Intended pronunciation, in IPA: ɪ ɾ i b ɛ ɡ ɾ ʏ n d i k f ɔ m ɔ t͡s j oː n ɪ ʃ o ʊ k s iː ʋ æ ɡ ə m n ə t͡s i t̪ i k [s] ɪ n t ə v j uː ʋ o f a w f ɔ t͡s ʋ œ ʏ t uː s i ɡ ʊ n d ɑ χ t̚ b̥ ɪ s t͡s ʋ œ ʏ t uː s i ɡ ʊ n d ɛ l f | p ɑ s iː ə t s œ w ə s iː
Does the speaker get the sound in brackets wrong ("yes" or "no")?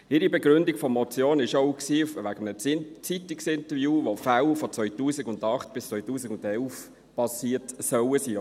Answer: no